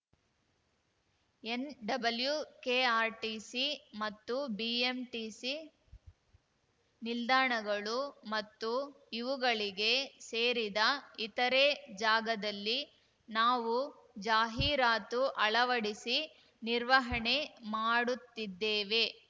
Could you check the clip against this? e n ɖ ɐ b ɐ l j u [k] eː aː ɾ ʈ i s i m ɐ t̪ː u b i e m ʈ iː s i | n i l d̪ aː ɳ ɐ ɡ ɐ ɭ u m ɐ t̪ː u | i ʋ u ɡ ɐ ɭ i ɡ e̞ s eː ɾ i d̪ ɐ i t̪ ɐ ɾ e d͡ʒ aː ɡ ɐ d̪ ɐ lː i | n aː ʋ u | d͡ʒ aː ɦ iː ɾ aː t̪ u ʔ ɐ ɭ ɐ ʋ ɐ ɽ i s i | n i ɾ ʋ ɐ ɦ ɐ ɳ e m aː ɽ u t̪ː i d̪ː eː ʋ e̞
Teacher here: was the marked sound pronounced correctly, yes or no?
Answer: yes